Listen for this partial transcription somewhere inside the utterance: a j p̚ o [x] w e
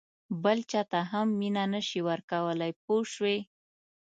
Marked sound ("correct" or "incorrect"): incorrect